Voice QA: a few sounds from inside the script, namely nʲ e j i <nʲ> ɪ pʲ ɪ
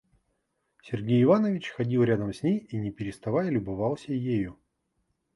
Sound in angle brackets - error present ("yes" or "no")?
no